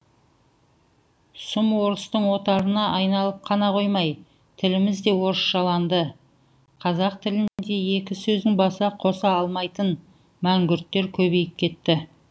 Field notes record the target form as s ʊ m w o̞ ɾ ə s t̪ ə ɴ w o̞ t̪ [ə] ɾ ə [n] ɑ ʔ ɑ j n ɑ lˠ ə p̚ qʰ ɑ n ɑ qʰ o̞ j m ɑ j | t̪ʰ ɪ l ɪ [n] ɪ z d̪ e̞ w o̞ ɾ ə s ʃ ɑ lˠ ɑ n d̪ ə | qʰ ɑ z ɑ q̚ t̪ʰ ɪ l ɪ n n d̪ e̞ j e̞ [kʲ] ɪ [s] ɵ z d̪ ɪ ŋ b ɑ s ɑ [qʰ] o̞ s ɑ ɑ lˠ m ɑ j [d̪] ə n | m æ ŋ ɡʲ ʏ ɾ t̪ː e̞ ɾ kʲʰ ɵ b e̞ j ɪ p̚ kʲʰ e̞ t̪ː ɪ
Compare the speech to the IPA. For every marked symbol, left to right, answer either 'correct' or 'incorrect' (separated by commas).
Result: incorrect, correct, incorrect, correct, correct, correct, incorrect